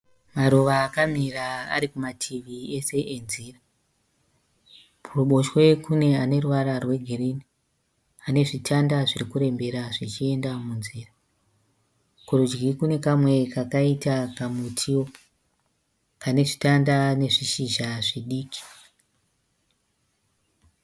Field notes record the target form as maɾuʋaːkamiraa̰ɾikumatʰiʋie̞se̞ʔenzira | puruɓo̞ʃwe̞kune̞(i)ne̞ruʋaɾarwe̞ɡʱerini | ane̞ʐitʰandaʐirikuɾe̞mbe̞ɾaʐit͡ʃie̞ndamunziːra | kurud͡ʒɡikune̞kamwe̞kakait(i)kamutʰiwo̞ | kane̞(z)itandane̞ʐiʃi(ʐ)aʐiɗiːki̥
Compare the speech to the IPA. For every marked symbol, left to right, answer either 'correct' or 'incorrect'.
incorrect: a, incorrect: a, incorrect: ʐ, incorrect: ʒ

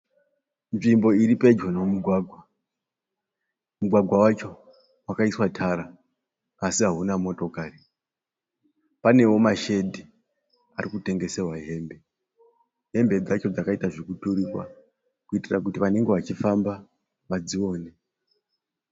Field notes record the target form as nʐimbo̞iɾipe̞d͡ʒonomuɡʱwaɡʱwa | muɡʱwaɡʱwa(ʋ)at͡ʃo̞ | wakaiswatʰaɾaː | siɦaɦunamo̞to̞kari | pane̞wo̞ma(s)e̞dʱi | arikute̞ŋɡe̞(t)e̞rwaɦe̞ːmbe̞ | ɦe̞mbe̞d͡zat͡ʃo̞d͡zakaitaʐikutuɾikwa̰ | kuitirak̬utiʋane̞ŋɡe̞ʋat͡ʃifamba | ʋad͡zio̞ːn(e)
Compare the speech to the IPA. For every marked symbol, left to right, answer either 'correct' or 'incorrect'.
incorrect: w, incorrect: ʃ, incorrect: s, correct

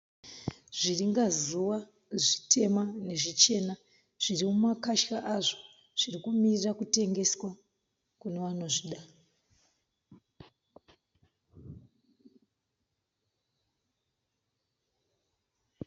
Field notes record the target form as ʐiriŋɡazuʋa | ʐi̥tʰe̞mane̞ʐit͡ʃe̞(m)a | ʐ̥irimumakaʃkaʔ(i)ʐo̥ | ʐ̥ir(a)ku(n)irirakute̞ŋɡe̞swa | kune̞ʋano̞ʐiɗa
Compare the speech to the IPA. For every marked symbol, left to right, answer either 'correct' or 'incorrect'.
incorrect: n, incorrect: a, incorrect: i, incorrect: m

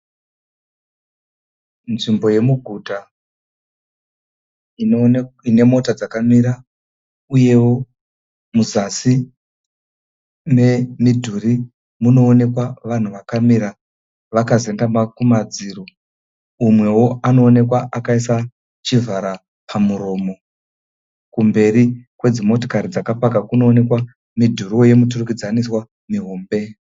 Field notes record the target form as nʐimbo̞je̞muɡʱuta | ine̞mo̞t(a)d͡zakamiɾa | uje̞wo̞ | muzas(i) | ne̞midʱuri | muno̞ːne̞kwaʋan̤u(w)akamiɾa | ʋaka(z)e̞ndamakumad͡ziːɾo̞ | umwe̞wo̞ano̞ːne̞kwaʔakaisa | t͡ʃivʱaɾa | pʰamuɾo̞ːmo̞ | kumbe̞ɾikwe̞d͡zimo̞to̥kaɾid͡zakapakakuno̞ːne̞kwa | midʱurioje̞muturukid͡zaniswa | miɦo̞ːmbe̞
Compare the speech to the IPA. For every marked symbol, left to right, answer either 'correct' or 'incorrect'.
correct, correct, incorrect: ʋ, correct

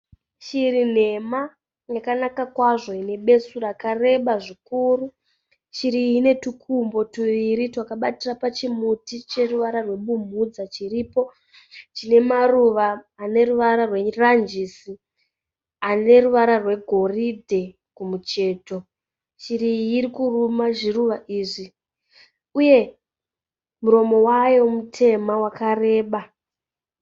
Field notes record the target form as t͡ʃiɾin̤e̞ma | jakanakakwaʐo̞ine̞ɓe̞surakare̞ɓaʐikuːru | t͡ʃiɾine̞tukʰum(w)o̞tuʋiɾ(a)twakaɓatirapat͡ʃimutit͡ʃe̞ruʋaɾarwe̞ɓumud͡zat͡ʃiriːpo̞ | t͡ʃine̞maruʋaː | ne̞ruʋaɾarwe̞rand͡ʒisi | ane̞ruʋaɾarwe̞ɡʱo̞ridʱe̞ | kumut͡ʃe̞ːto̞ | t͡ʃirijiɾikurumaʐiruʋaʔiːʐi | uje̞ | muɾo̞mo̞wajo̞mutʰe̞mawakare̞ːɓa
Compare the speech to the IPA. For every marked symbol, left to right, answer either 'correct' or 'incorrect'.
incorrect: b, incorrect: i

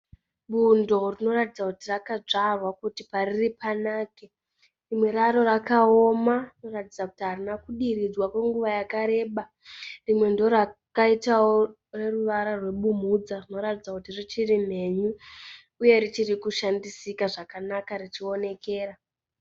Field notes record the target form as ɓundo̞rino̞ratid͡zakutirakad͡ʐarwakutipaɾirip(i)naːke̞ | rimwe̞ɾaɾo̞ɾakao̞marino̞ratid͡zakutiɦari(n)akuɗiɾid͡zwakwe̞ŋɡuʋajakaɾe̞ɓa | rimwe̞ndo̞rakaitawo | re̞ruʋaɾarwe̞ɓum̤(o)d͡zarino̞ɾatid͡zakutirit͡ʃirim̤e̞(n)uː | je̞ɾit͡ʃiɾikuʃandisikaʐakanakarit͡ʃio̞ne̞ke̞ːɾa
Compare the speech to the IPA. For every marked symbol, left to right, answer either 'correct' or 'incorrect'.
incorrect: a, correct, incorrect: u, incorrect: ɲ

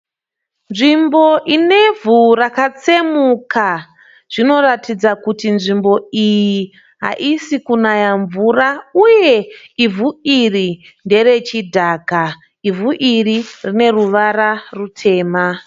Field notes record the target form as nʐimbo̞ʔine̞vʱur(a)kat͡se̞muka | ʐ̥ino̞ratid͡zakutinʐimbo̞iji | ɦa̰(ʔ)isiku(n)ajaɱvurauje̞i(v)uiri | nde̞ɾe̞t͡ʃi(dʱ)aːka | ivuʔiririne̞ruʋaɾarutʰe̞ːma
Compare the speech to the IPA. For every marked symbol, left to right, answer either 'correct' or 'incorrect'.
correct, correct, correct, correct, correct

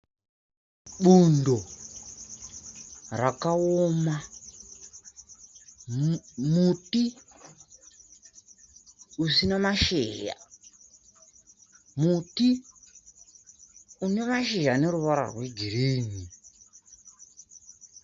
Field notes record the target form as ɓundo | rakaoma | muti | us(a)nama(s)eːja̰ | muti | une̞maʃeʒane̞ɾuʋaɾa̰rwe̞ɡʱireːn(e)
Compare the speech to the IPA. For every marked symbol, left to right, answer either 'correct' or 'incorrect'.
incorrect: i, incorrect: ʃ, incorrect: i

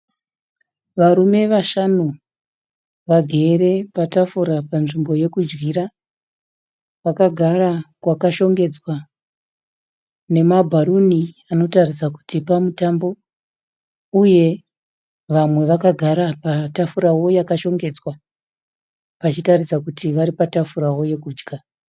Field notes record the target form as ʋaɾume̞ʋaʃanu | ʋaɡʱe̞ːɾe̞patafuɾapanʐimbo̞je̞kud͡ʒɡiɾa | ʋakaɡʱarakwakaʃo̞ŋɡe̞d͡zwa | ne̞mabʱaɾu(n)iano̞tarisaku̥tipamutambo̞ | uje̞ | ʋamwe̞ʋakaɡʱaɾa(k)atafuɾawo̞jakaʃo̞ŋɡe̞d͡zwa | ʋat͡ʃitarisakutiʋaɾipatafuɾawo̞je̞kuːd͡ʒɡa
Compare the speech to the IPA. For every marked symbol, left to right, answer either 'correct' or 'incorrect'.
correct, incorrect: p

